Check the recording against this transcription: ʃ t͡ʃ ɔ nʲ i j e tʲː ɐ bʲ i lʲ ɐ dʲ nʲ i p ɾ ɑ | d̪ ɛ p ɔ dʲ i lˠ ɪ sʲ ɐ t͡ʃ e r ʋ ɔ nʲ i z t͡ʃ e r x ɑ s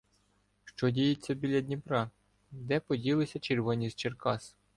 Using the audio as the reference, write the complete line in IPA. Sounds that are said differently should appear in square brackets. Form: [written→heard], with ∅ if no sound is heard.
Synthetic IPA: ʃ t͡ʃ ɔ [nʲ→dʲ] i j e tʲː ɐ bʲ i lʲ ɐ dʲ nʲ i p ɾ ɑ | d̪ ɛ p ɔ dʲ i lˠ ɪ sʲ ɐ t͡ʃ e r ʋ ɔ nʲ i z t͡ʃ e r [x→k] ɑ s